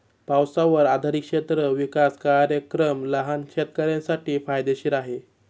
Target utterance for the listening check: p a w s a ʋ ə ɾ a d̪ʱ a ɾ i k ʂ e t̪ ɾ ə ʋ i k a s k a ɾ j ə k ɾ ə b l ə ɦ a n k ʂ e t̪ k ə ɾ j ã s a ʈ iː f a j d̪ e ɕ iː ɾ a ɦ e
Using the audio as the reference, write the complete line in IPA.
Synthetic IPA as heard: p a w s a ʋ ə ɾ a d̪ʱ a ɾ i k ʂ e t̪ ɾ ə ʋ i k a s k a ɾ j ə k ɾ ə m l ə ɦ a n k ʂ e t̪ k ə ɾ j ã s a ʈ iː f a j d̪ e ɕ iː ɾ a ɦ e